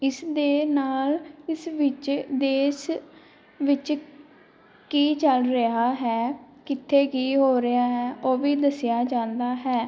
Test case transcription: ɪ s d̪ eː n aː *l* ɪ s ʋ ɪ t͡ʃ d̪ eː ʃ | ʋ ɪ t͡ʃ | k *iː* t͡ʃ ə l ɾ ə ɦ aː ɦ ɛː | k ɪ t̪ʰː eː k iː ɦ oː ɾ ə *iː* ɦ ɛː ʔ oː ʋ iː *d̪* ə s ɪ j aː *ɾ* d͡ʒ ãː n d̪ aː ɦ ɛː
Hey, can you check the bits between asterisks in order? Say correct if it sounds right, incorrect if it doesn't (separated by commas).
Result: correct, correct, incorrect, correct, incorrect